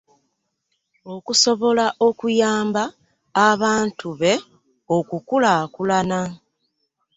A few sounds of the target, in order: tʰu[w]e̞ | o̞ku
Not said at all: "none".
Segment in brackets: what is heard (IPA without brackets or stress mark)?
β